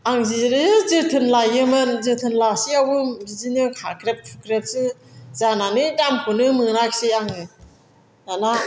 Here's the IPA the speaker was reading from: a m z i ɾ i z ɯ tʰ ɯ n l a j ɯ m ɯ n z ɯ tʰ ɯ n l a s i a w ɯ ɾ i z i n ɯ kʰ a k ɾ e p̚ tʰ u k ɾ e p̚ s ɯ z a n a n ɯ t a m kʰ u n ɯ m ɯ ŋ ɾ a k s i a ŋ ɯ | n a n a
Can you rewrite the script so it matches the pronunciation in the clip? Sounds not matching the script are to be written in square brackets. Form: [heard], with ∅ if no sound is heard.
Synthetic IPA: a [ŋ] z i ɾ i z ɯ tʰ ɯ n l a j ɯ m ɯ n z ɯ tʰ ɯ n l a s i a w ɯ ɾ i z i n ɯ kʰ a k ɾ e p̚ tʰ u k ɾ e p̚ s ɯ z a n a n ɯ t a m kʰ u n ɯ m ɯ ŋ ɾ a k s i a ŋ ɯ | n a n a

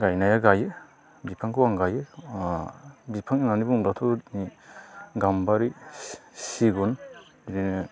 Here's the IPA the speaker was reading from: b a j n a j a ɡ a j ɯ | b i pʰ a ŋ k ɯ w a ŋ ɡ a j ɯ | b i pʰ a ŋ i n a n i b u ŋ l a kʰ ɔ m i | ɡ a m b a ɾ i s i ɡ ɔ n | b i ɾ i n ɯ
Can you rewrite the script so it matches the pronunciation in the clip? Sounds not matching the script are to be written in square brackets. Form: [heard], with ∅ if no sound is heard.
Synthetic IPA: [ɡ] a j n a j a ɡ a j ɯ | b i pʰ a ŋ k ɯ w a ŋ ɡ a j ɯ | b i pʰ a ŋ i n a n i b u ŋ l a [tʰ] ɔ [n] i | ɡ a m b a ɾ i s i ɡ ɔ n | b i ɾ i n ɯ

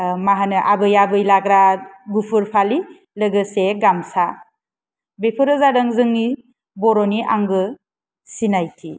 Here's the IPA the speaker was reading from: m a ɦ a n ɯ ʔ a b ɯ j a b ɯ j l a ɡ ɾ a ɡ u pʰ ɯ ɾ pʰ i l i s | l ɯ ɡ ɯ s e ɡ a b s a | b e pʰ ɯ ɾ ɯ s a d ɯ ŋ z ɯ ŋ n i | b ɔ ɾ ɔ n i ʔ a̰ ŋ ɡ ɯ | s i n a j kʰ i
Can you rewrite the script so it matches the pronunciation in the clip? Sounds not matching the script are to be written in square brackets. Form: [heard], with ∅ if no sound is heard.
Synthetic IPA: m a ɦ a n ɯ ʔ a b ɯ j a b ɯ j l a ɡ ɾ a ɡ u pʰ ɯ ɾ pʰ [a] l i [∅] | l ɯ ɡ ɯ s e ɡ a [m] s a | b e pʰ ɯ ɾ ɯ [z] a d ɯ ŋ z ɯ ŋ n i | b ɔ ɾ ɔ n i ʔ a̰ ŋ ɡ ɯ | s i n a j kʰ i

